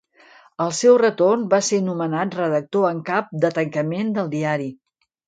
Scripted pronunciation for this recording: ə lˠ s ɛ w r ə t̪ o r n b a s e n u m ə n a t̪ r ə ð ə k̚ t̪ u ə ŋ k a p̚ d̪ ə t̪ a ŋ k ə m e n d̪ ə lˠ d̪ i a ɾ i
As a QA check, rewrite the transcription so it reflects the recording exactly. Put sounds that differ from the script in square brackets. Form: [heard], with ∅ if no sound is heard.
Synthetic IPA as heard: ə lˠ s ɛ w r ə t̪ o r n b a s e n u m ə n a t̪ r ə ð ə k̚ t̪ [o] ə ŋ k a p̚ d̪ ə t̪ [ə] ŋ k ə m e n d̪ ə lˠ d̪ i a ɾ i